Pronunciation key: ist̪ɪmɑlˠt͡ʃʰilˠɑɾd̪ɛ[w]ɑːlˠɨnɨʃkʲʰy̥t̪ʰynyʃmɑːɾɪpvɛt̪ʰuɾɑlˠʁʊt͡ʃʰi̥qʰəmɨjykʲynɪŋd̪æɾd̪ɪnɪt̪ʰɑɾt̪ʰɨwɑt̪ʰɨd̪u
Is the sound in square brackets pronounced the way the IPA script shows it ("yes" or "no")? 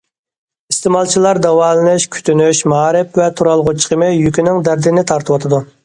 yes